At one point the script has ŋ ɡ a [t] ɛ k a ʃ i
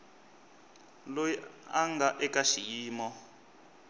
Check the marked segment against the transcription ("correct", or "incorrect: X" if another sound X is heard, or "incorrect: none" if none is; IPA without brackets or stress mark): incorrect: ʔ